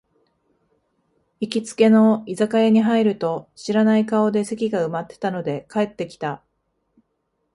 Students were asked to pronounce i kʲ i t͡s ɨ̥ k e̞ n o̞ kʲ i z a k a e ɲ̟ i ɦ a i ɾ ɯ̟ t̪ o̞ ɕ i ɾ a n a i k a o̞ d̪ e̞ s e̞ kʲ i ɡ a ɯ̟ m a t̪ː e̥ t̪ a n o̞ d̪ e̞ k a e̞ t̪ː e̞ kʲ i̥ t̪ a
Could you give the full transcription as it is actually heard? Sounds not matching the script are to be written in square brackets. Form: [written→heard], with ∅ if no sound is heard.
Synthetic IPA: i kʲ i t͡s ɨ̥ k e̞ n o̞ [kʲ→∅] i z a k a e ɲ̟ i ɦ a i ɾ ɯ̟ t̪ o̞ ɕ i ɾ a n a i k a o̞ d̪ e̞ s e̞ kʲ i ɡ a ɯ̟ m a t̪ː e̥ t̪ a n o̞ d̪ e̞ k a e̞ t̪ː e̞ kʲ i̥ t̪ a